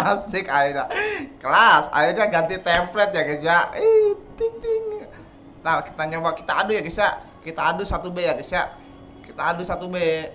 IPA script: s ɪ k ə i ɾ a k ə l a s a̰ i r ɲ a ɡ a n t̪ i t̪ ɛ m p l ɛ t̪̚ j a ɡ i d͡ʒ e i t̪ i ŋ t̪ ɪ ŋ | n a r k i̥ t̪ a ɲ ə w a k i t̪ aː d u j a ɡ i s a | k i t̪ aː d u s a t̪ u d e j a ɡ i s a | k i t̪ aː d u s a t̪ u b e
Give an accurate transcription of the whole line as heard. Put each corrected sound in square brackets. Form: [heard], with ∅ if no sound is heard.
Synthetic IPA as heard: s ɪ k [a] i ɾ a k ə l a s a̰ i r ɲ a ɡ a n t̪ i t̪ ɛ m p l ɛ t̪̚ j a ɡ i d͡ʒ [a] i t̪ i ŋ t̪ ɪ ŋ | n a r k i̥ t̪ a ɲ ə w a k i t̪ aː d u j a ɡ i s a | k i t̪ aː d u s a t̪ u [b] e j a ɡ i s a | k i t̪ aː d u s a t̪ u b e